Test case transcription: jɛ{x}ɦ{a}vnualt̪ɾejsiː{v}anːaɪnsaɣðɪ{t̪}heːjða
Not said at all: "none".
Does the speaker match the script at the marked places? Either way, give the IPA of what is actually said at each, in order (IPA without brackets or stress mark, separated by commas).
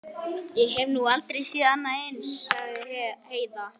ɣ, ɛ, ð, none